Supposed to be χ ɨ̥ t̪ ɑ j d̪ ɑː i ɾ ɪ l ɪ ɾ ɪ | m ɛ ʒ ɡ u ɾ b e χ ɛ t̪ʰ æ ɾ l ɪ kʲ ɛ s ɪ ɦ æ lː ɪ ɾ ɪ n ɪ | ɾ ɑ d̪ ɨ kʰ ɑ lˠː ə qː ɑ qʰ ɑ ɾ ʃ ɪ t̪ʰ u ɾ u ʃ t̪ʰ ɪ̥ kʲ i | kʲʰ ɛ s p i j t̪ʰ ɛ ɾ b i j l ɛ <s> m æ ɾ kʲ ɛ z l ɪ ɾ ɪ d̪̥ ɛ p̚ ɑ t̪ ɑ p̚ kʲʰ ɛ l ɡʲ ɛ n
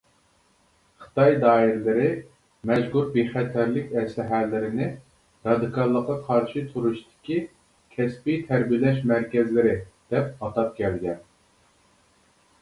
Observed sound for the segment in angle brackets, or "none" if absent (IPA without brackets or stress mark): ʃ